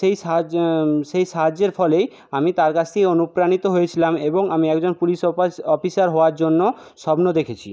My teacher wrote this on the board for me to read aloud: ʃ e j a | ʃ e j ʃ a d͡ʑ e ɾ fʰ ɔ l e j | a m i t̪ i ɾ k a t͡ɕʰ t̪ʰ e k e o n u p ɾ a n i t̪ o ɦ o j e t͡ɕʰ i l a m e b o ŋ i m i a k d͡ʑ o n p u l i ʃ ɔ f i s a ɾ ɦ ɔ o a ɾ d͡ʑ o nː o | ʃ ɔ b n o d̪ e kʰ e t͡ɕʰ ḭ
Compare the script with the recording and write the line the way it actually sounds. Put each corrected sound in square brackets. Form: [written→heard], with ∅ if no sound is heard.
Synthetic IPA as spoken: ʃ e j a | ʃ e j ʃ a d͡ʑ e ɾ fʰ ɔ l e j | a m i t̪ [i→a] ɾ k a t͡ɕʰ t̪ʰ e k e o n u p ɾ a n i t̪ o ɦ o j e t͡ɕʰ i l a m e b o ŋ [i→a] m i [a→ɛ] k d͡ʑ o n p u l i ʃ ɔ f i s a ɾ ɦ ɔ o a ɾ d͡ʑ o nː o | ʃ ɔ b n o d̪ e kʰ e t͡ɕʰ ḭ